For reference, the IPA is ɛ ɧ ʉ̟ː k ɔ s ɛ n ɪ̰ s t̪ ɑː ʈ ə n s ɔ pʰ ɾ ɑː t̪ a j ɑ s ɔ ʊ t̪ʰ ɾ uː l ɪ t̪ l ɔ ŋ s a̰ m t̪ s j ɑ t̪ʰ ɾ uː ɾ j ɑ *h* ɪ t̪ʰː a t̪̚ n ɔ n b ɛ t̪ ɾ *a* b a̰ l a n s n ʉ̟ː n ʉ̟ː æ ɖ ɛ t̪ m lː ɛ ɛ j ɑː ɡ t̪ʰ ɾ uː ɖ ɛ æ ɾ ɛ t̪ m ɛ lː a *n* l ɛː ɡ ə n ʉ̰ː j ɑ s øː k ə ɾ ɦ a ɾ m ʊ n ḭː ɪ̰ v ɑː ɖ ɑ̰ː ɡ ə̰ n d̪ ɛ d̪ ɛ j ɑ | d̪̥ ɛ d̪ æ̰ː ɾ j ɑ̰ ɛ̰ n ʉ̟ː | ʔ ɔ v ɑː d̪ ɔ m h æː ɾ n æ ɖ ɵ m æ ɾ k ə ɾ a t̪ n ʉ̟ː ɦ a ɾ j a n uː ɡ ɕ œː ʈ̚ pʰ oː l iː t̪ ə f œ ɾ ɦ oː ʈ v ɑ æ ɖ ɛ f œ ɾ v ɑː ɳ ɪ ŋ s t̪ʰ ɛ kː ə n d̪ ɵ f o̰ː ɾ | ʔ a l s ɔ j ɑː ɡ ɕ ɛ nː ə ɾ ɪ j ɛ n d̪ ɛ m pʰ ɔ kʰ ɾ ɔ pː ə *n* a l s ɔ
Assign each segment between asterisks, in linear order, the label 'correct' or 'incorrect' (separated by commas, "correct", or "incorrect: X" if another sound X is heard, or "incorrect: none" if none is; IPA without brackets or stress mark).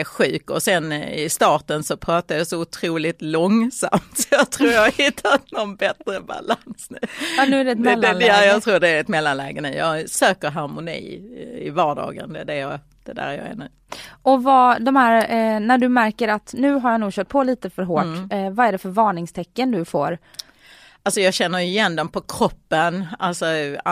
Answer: correct, incorrect: ə, correct, correct